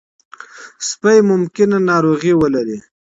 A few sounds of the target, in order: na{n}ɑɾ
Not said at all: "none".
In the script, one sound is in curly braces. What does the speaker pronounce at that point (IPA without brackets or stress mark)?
n